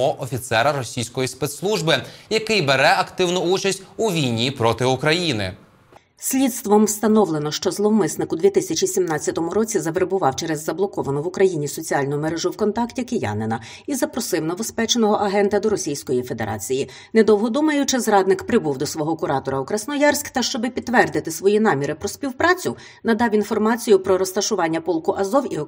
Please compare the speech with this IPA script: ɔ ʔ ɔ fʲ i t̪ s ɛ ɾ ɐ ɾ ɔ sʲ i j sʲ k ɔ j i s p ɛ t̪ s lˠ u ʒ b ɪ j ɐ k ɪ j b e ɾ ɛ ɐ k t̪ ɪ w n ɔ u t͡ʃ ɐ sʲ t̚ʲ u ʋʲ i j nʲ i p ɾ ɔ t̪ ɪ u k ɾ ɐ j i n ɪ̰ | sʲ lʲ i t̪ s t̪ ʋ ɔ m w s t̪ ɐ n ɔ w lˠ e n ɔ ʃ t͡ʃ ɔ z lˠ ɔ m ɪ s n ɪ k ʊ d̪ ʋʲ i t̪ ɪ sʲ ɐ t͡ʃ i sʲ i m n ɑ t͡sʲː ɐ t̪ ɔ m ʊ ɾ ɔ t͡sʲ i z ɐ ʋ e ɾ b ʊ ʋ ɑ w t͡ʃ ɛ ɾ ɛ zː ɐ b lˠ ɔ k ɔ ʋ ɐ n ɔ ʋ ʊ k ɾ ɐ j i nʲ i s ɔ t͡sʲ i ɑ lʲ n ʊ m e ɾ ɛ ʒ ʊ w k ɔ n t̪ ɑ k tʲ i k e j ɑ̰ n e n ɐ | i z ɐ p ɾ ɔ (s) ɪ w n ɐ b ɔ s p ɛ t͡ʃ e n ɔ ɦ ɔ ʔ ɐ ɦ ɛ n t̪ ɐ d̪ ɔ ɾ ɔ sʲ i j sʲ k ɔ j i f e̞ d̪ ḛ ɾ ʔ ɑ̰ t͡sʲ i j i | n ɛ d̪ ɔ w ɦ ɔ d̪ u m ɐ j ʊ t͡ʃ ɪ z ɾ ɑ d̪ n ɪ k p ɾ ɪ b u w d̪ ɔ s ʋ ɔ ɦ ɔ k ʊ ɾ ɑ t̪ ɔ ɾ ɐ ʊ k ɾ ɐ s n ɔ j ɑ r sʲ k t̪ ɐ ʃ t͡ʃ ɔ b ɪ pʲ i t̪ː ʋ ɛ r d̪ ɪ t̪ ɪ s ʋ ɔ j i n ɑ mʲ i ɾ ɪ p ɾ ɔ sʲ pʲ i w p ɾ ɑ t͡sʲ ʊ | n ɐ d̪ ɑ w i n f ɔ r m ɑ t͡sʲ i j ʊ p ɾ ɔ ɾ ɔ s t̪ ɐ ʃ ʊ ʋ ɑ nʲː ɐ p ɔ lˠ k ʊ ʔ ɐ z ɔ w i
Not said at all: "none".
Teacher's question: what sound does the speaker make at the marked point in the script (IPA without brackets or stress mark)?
s